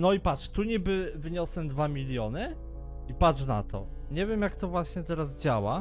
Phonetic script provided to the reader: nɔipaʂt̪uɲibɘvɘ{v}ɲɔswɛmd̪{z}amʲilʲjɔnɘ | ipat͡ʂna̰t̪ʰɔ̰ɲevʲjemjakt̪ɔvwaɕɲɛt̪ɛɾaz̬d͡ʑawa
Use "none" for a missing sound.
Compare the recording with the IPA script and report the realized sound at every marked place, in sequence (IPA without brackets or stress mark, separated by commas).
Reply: none, v